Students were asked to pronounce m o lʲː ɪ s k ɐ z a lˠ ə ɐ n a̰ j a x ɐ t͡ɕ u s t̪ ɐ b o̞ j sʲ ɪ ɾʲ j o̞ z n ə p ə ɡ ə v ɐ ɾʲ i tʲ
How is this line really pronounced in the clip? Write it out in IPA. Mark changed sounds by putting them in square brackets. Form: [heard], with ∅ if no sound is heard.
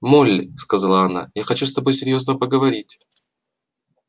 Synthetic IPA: m o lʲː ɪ s k ɐ z a lˠ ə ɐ n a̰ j a x ɐ t͡ɕ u s t̪ ɐ b o̞ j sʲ ɪ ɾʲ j o̞ z n ə p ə ɡ ə v ɐ ɾʲ i tʲ